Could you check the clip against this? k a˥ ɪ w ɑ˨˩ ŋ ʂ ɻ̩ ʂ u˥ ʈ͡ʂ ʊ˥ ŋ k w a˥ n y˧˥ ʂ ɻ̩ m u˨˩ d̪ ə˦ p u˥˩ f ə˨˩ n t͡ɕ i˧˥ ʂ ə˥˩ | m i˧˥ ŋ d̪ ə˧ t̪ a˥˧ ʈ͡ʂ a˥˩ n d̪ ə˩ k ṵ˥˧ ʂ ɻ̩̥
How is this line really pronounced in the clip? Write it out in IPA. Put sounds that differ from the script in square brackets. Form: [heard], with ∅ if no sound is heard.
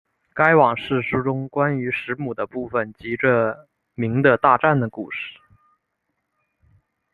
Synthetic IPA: k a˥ ɪ w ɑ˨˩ ŋ ʂ ɻ̩ ʂ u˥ ʈ͡ʂ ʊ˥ ŋ k w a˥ n y˧˥ ʂ ɻ̩ m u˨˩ d̪ ə˦ p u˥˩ f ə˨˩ n t͡ɕ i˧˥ [ʈ͡ʂ] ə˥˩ | m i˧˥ ŋ d̪ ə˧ t̪ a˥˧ ʈ͡ʂ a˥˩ n d̪ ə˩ k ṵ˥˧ ʂ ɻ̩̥